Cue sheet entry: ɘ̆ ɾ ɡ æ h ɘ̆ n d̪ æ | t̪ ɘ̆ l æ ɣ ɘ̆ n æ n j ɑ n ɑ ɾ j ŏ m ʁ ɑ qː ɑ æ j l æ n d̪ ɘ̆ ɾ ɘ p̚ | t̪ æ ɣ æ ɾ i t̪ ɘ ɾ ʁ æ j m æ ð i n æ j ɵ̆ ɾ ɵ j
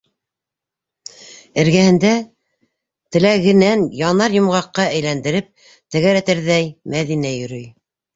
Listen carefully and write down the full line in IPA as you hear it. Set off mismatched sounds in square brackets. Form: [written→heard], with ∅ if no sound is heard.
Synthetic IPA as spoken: ɘ̆ ɾ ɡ æ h ɘ̆ n d̪ æ | t̪ ɘ̆ l æ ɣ ɘ̆ n æ n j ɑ n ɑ ɾ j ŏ m ʁ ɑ qː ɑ æ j l æ n d̪ ɘ̆ ɾ ɘ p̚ | t̪ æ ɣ æ ɾ [i→æ] t̪ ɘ ɾ [ʁ→ð] æ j m æ ð i n æ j ɵ̆ ɾ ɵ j